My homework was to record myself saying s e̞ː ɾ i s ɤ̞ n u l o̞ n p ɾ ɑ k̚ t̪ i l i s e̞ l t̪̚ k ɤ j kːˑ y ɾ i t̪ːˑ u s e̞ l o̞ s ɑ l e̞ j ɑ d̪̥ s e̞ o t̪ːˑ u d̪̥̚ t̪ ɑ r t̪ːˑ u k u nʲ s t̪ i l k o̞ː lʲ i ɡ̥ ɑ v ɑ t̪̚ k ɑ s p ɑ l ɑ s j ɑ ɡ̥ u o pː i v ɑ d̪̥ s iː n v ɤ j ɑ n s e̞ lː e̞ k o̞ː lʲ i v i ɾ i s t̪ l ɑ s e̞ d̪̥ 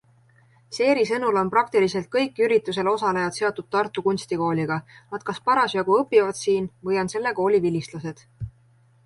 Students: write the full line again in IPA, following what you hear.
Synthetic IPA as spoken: s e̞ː ɾ i s ɤ̞ n u l o̞ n p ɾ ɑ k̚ t̪ i l i s e̞ l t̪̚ k ɤ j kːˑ y ɾ i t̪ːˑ u s e̞ l o̞ s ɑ l e̞ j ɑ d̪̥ s e̞ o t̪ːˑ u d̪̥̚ t̪ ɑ r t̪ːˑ u k u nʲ s t̪ i k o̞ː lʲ i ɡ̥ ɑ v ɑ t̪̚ k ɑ s p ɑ ɾ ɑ s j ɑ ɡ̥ u ɤ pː i v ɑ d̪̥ s iː n v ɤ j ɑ n s e̞ lː e̞ k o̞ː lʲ i v i l i s t̪ l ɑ s e̞ d̪̥